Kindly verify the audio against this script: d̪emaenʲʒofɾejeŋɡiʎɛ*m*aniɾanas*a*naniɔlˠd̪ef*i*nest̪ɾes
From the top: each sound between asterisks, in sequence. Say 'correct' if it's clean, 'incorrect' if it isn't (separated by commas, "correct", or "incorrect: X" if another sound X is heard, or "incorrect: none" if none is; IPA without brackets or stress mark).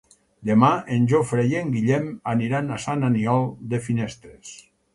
correct, correct, correct